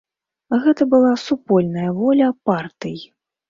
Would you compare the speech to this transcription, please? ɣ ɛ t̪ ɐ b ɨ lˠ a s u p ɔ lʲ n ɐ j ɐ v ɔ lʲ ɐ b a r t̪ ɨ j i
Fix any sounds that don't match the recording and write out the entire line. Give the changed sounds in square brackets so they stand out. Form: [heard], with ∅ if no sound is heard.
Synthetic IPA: ɣ ɛ t̪ ɐ b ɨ lˠ a s u p ɔ lʲ n ɐ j ɐ v ɔ lʲ ɐ [p] a r t̪ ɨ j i